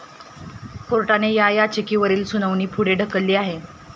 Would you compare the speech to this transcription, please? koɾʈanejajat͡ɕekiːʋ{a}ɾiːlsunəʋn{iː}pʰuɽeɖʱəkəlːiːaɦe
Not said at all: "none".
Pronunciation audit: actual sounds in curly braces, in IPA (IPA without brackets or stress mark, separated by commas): ə, iː